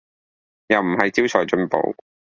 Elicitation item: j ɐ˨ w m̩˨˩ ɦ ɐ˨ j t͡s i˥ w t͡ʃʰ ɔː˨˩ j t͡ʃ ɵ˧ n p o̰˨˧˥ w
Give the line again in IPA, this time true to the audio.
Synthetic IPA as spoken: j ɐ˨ w m̩˨˩ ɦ ɐ˨ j t͡s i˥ w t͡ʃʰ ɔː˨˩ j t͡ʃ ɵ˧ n p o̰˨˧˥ w